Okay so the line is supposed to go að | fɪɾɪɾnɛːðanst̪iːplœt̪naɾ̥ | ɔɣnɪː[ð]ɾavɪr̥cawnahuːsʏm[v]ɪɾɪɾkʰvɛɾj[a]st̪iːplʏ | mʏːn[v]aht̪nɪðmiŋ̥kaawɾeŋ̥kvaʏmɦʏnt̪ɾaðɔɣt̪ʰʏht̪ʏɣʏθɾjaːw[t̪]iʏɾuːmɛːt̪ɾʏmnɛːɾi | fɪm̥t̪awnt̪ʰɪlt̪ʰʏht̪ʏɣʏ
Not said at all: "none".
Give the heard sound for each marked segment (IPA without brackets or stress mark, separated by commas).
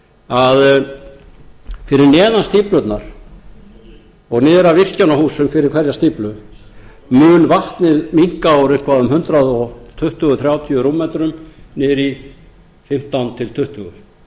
ð, f, a, v, t̪ʰ